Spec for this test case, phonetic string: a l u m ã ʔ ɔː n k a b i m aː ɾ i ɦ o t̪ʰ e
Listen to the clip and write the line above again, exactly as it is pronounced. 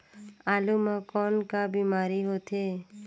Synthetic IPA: a l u m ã k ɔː n k a b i m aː ɾ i ɦ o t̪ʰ e